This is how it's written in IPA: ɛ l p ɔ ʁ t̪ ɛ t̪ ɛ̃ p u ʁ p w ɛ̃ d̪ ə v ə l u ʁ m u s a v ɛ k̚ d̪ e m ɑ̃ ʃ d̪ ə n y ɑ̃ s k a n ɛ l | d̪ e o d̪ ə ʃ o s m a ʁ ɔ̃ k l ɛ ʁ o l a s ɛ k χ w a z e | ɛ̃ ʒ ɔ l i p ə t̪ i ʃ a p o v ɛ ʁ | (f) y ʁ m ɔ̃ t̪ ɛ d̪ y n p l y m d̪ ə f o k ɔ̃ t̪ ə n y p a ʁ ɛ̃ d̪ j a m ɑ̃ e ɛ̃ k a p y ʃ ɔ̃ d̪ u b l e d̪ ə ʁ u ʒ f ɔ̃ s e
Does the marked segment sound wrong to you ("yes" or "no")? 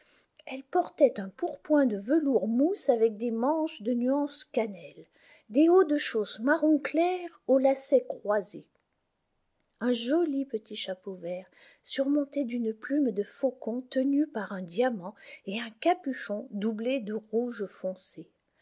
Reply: yes